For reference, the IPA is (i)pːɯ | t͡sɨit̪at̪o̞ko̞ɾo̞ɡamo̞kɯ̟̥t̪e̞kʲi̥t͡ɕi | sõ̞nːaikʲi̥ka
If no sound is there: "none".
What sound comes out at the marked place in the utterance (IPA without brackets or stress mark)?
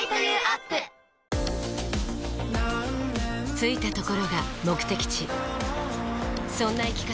a